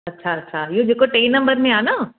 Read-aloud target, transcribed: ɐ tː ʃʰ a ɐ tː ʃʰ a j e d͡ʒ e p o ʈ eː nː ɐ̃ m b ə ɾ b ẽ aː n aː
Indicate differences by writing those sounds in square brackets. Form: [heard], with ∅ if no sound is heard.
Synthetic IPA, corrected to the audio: ɐ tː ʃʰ a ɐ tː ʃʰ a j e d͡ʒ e [k] o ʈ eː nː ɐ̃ m b ə ɾ [m] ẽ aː n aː